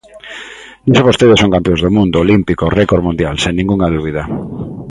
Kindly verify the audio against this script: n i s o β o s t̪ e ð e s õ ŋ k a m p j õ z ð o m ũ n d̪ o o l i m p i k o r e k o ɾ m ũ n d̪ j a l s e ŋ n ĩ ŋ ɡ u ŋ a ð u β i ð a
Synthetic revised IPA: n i s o β o s t̪ e ð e s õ ŋ k a m p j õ z ð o m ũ n d̪ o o l i m p i k o r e k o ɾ m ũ n d̪ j a l s e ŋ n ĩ ŋ ɡ u ŋ a ð u β i ð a